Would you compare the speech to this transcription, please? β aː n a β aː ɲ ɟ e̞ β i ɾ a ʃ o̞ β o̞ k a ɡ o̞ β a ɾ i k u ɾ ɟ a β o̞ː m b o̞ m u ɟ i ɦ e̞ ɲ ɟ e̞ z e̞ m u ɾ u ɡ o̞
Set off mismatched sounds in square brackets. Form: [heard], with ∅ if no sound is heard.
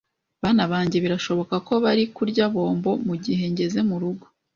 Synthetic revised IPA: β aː n a β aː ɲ ɟ e̞ β i ɾ a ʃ o̞ β o̞ k a [k] o̞ β a ɾ i k u ɾ ɟ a β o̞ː m b o̞ m u ɟ i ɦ e̞ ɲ ɟ e̞ z e̞ m u ɾ u ɡ o̞